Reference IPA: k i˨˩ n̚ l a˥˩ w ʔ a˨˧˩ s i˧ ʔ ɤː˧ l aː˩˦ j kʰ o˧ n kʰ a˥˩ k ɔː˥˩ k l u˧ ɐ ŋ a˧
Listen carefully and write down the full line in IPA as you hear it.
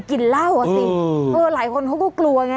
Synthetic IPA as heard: k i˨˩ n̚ l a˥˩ w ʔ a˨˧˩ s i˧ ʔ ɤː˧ l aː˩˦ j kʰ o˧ n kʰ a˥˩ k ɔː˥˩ k l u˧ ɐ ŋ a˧